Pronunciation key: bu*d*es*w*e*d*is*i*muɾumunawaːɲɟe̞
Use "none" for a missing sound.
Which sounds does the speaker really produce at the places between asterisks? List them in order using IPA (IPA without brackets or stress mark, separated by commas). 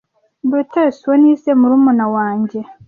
t, w, n, e